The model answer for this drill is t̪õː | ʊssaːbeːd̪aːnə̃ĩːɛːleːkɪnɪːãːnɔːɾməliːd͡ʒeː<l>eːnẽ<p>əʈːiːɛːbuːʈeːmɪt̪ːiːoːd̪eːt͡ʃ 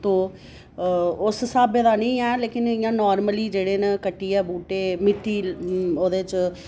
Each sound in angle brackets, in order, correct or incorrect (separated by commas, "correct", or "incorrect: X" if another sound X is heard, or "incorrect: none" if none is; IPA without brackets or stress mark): incorrect: ɽ, incorrect: k